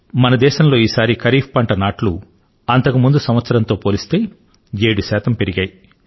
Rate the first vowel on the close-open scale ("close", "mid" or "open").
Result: open